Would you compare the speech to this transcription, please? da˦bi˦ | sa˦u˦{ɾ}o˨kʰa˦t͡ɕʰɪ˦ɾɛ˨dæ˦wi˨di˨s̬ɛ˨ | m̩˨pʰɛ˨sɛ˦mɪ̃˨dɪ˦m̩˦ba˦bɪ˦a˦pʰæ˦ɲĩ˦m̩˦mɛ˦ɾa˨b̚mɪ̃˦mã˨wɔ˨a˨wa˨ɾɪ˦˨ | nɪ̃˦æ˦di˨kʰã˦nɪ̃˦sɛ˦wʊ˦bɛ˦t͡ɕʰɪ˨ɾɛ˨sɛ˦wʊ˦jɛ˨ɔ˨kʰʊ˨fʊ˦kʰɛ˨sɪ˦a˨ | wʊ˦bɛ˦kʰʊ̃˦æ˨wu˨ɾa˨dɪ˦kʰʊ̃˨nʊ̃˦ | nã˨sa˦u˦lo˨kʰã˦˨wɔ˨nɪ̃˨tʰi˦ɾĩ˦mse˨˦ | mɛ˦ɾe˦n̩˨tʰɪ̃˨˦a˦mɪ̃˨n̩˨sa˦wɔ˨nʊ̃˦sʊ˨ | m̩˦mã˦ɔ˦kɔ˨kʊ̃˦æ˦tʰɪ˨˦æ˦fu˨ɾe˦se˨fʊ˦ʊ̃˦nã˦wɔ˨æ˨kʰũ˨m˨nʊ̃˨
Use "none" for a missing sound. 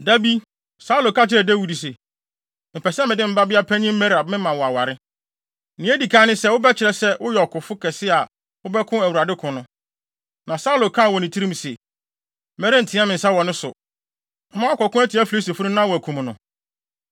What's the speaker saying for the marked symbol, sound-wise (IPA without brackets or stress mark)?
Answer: l